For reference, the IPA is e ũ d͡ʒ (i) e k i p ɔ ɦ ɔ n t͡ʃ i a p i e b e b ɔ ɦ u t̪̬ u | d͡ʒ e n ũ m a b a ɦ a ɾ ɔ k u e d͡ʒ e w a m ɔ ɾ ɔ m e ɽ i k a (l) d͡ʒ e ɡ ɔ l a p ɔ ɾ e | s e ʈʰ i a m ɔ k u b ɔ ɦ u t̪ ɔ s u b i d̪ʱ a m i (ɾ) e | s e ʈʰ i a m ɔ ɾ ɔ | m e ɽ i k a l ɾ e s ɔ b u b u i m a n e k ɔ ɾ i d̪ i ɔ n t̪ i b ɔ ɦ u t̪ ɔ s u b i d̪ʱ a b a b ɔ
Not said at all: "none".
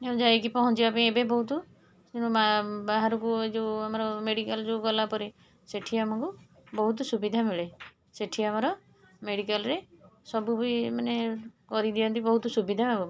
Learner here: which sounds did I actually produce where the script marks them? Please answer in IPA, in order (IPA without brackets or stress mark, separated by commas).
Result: a, l, ɭ